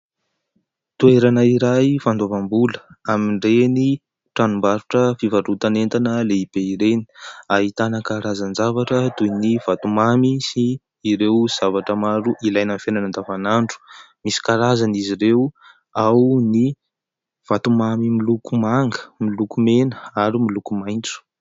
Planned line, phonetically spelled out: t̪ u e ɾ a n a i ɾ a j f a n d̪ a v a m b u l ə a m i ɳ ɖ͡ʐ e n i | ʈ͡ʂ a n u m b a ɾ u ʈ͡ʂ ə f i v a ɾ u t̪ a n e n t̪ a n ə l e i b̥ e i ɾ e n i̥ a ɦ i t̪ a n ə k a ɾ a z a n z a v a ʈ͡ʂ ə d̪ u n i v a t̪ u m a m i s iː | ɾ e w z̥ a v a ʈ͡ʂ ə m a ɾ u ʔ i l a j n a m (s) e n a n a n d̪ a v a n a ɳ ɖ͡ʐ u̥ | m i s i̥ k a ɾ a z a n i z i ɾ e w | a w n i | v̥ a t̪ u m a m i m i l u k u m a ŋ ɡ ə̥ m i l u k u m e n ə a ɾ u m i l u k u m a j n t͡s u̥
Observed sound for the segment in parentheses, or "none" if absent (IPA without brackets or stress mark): f